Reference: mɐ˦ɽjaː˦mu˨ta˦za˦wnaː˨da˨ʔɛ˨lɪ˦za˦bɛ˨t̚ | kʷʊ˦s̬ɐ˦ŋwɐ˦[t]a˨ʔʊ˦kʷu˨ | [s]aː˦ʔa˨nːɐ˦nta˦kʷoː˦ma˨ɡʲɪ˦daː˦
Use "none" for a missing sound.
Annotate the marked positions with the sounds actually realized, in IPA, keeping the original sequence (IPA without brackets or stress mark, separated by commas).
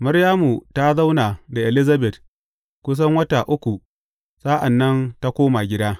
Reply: t, s